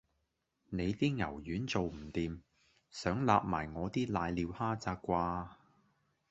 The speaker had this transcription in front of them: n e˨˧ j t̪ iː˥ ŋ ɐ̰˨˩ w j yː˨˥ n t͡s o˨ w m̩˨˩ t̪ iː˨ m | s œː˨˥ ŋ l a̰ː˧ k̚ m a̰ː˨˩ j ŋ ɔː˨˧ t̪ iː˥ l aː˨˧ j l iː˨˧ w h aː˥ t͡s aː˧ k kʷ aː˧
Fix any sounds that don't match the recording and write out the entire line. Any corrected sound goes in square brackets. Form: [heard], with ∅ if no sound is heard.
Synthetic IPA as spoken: n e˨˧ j t̪ iː˥ ŋ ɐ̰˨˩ w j yː˨˥ n t͡s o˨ w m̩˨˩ t̪ iː˨ m | s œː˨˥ ŋ l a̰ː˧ [p̚] m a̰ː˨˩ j ŋ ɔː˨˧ t̪ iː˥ l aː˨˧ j l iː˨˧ w h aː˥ t͡s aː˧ k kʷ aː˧